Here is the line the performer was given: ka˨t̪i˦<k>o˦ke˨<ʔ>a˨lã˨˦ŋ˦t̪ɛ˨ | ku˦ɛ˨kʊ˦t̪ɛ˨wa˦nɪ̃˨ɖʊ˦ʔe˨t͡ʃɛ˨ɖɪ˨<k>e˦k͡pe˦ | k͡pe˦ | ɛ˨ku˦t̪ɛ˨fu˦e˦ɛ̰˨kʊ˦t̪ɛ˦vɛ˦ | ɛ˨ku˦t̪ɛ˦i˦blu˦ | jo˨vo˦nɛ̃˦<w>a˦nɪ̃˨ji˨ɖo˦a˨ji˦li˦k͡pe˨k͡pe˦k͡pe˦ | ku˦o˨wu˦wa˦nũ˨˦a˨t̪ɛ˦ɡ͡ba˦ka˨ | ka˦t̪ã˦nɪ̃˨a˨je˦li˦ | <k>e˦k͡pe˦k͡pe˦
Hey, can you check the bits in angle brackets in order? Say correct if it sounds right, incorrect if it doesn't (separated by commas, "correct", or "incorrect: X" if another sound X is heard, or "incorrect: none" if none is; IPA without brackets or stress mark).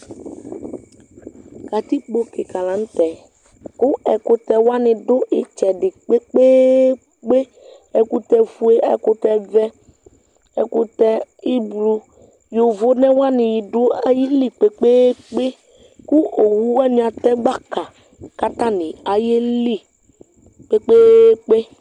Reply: incorrect: k͡p, incorrect: k, incorrect: k͡p, correct, incorrect: k͡p